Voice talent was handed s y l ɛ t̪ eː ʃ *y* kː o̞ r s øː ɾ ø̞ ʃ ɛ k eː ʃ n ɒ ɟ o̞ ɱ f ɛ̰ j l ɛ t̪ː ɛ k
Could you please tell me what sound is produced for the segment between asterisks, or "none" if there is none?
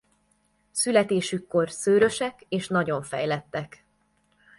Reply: y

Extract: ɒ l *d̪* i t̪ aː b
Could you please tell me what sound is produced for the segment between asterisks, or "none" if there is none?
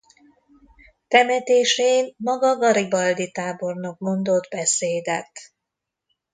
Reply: d̪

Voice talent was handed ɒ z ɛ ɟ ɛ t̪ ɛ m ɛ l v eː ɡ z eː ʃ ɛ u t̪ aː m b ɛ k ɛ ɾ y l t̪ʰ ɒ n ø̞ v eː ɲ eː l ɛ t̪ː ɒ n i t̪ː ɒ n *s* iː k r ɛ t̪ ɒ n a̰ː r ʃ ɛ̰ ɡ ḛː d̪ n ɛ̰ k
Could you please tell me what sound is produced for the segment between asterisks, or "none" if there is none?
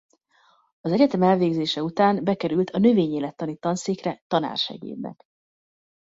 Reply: s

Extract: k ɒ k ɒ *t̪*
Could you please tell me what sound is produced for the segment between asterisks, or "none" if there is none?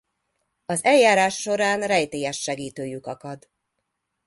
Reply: d̪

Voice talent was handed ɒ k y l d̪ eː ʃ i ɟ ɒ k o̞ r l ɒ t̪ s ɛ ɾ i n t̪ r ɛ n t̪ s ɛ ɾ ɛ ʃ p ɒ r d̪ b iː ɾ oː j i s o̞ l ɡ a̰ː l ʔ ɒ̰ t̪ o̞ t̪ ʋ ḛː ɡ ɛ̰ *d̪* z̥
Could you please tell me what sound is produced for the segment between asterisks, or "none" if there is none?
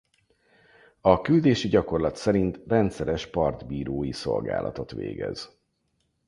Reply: none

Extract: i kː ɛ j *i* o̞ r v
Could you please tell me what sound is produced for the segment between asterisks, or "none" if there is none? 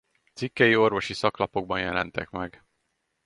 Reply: i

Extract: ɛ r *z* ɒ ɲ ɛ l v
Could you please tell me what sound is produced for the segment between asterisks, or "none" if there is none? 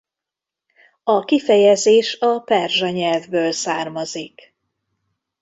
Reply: ʒ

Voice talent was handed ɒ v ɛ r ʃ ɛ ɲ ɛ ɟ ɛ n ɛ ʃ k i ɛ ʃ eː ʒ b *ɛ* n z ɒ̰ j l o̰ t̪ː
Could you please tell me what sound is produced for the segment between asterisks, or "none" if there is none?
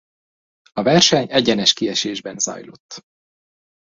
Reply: ɛ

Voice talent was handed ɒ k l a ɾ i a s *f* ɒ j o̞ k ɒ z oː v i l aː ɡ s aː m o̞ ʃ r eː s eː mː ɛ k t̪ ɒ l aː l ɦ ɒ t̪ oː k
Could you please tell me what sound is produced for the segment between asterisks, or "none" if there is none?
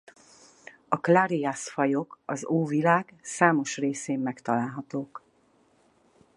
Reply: f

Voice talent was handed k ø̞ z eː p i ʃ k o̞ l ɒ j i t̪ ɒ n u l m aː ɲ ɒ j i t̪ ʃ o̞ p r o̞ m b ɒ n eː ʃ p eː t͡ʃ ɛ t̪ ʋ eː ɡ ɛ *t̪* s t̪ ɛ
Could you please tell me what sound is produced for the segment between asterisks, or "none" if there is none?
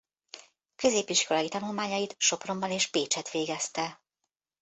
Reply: none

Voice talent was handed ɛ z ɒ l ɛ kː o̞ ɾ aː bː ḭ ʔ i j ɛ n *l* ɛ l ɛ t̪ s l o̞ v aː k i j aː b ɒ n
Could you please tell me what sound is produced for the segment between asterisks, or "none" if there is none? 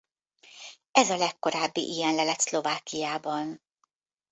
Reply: l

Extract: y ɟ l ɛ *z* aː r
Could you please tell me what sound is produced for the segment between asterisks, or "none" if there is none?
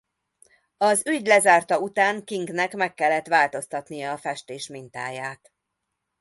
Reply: z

